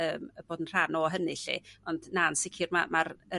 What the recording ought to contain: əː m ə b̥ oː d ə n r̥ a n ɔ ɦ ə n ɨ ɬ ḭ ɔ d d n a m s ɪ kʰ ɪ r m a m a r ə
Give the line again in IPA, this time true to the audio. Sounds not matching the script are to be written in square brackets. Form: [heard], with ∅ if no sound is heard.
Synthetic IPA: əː m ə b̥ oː d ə n r̥ a n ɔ ɦ ə n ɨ ɬ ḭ ɔ [n] d n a [n] s ɪ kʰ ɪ r m a m a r ə